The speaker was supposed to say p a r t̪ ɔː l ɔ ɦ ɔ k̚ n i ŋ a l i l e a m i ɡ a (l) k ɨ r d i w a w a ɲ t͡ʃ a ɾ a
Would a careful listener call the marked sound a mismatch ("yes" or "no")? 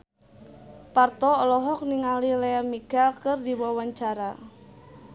no